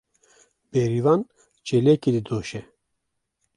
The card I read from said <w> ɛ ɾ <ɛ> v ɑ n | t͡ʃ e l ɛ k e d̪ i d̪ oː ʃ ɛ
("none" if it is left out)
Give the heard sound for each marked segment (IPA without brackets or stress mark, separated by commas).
b, i